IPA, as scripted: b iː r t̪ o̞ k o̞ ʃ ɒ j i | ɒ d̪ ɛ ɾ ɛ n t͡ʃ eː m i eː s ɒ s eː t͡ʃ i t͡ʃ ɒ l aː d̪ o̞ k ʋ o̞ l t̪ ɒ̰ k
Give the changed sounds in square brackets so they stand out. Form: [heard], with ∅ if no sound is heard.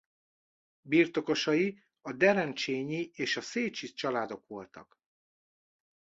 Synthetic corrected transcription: b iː r t̪ o̞ k o̞ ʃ ɒ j i | ɒ d̪ ɛ ɾ ɛ n t͡ʃ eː [ɲ] i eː [ʃ] ɒ s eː t͡ʃ i t͡ʃ ɒ l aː d̪ o̞ k ʋ o̞ l t̪ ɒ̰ k